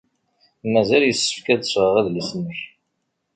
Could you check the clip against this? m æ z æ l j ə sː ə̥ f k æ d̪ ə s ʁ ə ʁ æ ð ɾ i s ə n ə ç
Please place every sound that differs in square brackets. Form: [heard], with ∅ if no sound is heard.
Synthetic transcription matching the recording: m æ z æ l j ə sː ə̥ f k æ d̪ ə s ʁ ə ʁ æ ð [l] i s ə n ə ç